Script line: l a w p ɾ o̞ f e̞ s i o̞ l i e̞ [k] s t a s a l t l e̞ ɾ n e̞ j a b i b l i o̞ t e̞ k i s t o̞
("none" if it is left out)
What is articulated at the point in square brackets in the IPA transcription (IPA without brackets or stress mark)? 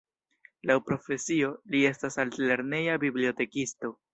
none